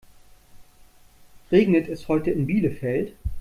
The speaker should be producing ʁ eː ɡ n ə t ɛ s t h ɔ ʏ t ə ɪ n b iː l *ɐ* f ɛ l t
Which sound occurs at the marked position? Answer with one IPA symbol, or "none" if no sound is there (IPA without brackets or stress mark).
ə